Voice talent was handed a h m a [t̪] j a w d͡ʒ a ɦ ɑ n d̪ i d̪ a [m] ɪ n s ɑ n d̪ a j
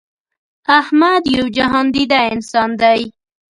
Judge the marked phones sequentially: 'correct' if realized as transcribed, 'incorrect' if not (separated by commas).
incorrect, incorrect